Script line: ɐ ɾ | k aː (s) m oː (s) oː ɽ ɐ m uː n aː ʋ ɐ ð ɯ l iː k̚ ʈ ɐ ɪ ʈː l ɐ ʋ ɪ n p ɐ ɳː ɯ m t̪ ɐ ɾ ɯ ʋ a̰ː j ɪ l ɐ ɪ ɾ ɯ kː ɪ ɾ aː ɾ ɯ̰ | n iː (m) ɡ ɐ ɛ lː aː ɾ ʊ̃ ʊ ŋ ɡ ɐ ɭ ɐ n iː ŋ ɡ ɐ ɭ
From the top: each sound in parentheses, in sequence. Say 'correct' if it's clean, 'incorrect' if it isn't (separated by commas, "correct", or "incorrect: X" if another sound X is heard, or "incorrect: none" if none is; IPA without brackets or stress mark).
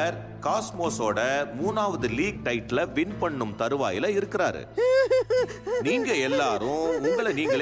correct, correct, incorrect: ŋ